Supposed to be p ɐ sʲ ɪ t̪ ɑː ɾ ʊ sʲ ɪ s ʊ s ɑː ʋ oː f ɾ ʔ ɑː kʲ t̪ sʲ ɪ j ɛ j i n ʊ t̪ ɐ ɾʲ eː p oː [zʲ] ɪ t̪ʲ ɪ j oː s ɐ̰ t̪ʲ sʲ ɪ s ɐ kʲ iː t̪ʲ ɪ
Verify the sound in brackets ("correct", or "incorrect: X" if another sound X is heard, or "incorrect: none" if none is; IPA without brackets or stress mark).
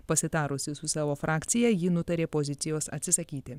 correct